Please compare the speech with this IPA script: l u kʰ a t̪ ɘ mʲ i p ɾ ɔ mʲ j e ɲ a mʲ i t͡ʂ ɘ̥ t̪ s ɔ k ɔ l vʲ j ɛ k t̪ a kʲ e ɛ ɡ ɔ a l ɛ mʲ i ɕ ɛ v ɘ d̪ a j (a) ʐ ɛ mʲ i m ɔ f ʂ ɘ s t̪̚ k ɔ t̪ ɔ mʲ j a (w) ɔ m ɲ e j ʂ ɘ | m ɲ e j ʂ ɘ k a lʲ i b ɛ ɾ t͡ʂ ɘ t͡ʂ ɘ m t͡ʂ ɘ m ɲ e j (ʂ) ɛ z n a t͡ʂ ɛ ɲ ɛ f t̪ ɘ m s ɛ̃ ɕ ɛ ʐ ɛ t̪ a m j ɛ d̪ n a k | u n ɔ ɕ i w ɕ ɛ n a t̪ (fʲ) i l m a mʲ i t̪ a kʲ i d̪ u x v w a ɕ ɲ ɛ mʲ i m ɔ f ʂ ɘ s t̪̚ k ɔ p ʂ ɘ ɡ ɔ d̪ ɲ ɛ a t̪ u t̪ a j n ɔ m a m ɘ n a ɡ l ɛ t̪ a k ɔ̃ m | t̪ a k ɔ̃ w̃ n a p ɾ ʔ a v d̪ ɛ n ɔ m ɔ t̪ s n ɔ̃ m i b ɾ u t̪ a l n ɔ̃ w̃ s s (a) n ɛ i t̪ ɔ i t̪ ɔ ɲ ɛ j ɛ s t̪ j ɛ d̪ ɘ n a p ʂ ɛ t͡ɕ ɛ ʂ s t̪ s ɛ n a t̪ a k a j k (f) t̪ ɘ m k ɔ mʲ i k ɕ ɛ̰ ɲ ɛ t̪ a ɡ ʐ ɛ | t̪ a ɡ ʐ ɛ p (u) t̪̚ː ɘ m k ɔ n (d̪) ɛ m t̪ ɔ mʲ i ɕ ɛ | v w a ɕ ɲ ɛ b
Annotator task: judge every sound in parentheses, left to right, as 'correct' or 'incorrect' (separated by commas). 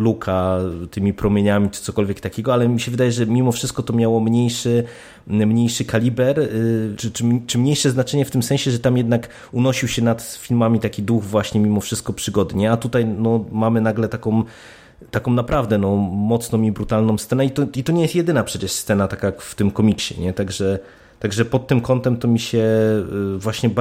incorrect, correct, correct, correct, incorrect, correct, incorrect, incorrect